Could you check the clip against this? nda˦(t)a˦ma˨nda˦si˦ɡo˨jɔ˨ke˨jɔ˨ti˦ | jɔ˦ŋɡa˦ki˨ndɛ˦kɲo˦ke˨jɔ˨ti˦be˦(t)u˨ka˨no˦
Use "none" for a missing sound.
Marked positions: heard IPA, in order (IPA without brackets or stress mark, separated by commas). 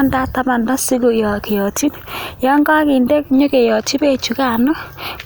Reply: t, t͡ʃ